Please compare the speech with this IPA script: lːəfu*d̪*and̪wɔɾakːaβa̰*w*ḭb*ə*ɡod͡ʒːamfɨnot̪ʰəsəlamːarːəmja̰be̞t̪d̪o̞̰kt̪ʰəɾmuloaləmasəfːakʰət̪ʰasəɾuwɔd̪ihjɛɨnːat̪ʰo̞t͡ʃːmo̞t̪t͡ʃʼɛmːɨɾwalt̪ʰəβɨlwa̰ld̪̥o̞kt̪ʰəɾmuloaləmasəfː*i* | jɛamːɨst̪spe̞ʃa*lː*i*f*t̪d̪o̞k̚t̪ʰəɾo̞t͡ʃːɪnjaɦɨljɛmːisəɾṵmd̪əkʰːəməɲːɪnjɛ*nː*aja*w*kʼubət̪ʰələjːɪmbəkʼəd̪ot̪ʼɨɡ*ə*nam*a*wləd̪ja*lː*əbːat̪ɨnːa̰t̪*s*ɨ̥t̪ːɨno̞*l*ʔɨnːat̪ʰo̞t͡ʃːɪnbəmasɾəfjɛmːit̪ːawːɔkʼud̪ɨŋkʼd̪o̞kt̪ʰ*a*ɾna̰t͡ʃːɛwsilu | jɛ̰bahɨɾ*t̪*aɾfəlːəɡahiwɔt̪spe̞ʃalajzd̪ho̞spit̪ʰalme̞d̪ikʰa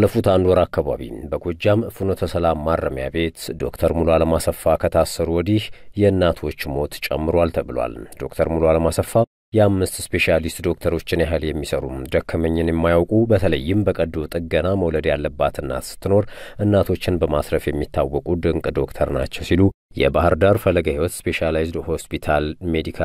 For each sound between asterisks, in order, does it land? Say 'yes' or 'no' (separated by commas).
no, no, yes, no, no, no, no, yes, yes, no, yes, yes, no, no, no